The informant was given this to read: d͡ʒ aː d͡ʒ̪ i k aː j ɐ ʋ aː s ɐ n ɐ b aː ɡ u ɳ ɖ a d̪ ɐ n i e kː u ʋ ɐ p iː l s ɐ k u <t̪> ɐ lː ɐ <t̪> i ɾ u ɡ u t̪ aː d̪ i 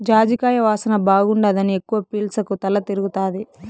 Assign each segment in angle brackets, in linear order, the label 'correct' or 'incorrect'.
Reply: correct, correct

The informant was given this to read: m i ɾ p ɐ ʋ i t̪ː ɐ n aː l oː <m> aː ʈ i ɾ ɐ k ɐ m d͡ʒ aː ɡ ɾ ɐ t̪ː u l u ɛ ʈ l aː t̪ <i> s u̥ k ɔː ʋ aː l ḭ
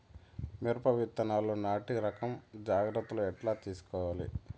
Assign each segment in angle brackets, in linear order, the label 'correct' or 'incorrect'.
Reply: incorrect: n, incorrect: iː

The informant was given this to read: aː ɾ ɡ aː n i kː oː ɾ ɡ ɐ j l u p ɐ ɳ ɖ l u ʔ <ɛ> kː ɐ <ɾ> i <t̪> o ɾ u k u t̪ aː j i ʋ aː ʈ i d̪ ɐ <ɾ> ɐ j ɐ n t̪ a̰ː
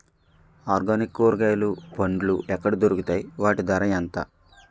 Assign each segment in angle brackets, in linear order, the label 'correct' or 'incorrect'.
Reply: correct, incorrect: ɽ, incorrect: d̪, correct

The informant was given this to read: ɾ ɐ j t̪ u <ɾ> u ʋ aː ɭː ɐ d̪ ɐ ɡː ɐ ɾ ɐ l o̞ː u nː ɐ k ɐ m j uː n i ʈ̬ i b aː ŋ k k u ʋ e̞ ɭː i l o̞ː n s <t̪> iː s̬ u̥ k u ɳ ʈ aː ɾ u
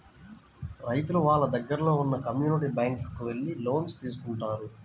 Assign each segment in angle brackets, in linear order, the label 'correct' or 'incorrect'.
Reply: incorrect: l, correct

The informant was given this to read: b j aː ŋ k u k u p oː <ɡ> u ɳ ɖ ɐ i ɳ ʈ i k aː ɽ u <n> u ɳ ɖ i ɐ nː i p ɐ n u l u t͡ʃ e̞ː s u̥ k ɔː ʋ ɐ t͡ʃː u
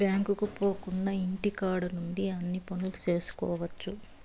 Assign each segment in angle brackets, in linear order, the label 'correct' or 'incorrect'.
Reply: incorrect: k, correct

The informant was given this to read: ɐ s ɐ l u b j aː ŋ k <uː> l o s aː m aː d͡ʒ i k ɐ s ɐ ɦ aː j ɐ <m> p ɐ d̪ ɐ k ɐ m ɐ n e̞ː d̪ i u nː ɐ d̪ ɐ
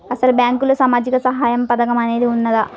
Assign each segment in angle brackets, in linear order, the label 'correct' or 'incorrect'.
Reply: incorrect: u, correct

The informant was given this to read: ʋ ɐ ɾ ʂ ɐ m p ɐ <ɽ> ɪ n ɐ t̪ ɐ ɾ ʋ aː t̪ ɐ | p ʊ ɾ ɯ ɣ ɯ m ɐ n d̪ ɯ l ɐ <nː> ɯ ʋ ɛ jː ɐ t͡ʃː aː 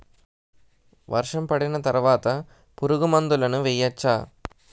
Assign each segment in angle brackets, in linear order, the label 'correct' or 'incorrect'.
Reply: correct, incorrect: n

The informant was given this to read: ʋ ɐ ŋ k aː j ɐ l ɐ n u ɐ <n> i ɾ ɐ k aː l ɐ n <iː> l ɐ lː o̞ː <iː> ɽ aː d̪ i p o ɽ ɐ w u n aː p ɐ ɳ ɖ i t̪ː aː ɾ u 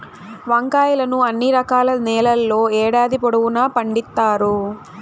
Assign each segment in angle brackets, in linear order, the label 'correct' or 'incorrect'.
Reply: incorrect: nː, incorrect: ɛː, incorrect: ɛː

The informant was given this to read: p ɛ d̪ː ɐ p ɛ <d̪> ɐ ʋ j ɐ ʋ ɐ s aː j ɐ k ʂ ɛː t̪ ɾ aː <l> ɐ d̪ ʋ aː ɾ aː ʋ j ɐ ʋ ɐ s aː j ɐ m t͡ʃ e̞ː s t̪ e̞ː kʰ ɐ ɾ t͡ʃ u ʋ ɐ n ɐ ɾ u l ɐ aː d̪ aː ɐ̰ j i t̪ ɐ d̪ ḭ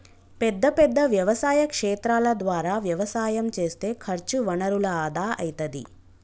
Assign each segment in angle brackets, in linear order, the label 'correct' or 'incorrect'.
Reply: incorrect: d̪ː, correct

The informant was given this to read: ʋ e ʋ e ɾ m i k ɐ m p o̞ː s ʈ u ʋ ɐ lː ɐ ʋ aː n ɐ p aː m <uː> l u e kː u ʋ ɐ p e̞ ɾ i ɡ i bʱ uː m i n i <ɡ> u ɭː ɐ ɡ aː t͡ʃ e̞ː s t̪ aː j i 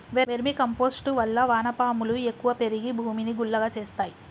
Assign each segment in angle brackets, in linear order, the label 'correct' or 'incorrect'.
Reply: incorrect: u, correct

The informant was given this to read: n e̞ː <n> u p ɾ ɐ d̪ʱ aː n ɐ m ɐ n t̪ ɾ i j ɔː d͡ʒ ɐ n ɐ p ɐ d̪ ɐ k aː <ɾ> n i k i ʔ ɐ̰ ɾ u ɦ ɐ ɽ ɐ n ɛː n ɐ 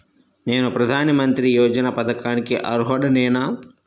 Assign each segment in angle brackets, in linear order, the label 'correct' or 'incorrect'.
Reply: correct, incorrect: none

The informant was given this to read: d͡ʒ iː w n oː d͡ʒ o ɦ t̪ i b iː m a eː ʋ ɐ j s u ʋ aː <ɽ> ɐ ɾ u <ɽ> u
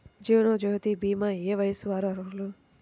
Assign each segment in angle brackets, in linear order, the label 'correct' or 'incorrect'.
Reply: incorrect: ɾ, incorrect: l

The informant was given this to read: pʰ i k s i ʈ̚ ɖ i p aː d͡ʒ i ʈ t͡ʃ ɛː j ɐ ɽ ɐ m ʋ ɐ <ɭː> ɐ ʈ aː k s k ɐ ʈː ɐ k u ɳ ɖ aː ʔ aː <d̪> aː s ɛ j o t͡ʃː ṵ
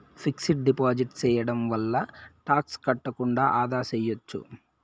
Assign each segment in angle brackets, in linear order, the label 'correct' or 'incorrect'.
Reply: incorrect: lː, correct

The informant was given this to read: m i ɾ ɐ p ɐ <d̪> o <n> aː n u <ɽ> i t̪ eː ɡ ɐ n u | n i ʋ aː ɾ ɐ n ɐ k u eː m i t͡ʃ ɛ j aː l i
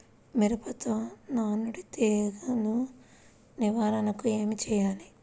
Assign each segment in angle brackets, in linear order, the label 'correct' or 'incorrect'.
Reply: incorrect: t̪, correct, correct

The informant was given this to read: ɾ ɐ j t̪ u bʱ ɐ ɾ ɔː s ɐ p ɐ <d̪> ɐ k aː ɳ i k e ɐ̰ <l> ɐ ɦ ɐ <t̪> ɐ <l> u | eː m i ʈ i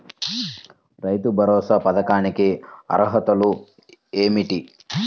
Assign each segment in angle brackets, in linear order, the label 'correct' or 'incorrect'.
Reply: correct, incorrect: ɾ, correct, correct

